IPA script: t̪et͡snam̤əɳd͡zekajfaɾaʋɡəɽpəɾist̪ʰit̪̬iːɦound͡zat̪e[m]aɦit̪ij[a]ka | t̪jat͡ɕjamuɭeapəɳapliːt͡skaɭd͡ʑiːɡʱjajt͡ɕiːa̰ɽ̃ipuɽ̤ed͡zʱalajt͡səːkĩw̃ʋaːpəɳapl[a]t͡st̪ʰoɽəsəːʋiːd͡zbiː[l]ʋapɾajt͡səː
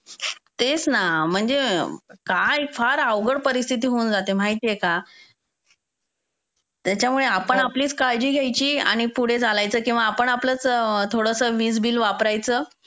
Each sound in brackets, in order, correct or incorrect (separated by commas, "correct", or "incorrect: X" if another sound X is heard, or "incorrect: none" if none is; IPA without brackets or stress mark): correct, incorrect: e, incorrect: ə, correct